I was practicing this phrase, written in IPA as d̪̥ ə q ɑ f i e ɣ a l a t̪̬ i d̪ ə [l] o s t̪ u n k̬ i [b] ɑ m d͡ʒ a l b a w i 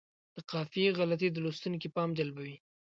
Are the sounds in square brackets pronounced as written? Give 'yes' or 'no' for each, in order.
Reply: yes, no

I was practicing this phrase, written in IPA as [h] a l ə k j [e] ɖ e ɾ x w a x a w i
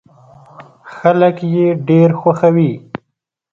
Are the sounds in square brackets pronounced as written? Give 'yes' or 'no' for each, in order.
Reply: no, yes

